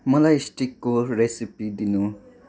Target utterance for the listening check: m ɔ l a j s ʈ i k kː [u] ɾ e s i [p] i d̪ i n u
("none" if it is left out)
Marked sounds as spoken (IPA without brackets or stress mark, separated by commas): o, p